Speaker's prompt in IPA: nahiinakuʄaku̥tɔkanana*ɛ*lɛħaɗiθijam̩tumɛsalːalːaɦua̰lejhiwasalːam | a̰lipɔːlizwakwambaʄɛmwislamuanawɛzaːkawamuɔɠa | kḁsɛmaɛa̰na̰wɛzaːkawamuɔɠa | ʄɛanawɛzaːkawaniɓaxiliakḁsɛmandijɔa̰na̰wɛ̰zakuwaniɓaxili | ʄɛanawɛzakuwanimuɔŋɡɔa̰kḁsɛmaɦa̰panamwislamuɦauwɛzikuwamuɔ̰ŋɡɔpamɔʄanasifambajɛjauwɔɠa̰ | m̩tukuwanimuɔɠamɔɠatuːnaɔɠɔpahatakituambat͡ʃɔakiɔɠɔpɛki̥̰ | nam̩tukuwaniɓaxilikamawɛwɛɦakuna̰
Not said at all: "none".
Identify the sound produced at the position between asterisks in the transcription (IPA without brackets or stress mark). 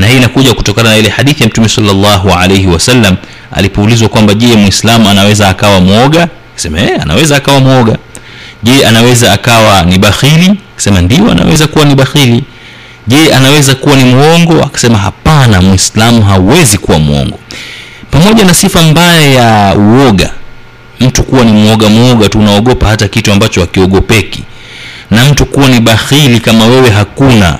i